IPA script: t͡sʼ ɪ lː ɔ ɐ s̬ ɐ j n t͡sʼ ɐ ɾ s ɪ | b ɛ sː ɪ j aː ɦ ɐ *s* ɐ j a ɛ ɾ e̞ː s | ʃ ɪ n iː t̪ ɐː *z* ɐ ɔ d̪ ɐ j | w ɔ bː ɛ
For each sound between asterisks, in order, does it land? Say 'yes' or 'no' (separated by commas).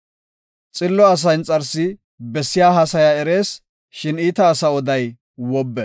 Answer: yes, no